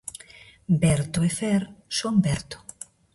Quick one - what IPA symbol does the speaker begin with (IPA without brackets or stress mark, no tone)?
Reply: b